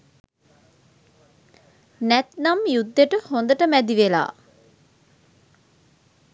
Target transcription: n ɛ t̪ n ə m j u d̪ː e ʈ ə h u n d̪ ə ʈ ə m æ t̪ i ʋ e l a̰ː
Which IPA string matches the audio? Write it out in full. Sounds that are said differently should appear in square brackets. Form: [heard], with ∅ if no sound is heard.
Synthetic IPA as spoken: n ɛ t̪ n [a] m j u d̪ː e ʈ ə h [o] n d̪ ə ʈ ə m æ [d̪] i ʋ e l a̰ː